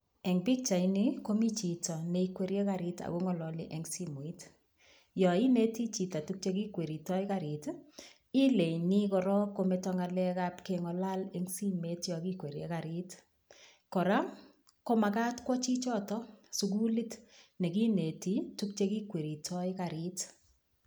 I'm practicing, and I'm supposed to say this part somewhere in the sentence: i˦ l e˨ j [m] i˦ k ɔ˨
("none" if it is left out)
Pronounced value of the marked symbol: n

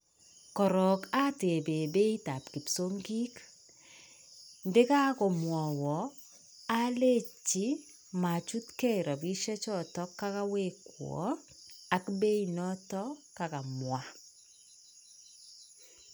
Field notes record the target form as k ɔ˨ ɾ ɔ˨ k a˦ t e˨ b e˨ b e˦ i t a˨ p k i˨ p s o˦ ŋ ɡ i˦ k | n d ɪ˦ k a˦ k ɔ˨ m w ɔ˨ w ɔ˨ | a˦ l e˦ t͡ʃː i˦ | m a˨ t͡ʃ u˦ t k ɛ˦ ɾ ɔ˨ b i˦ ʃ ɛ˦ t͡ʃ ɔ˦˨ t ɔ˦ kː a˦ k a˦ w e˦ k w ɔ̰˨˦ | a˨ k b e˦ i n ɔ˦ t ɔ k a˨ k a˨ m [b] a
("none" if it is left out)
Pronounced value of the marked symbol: w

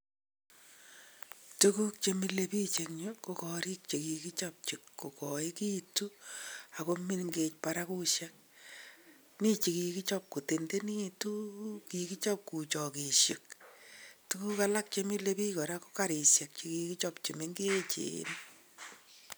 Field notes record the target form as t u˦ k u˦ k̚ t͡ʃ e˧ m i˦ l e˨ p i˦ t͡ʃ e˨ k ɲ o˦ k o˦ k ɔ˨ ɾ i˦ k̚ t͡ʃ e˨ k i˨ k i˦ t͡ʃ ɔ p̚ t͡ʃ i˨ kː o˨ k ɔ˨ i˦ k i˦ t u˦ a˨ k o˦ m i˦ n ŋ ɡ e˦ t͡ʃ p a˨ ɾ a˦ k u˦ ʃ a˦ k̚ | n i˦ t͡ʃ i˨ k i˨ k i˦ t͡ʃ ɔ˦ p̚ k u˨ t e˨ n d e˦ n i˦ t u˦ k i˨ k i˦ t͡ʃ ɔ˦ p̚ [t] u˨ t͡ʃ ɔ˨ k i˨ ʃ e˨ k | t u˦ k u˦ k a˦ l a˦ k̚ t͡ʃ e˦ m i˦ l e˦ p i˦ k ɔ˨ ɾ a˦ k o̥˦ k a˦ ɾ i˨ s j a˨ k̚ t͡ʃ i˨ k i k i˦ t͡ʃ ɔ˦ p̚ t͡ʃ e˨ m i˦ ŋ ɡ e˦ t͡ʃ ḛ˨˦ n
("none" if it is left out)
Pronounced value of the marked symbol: k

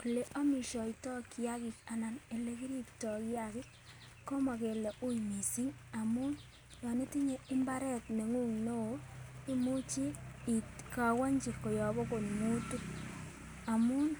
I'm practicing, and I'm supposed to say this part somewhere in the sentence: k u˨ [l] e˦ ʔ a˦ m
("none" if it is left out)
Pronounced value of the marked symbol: l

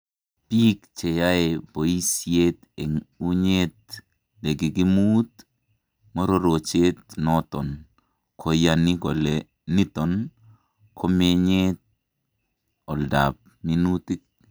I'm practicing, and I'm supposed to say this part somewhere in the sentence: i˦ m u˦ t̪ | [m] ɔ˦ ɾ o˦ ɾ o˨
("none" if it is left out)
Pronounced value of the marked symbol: m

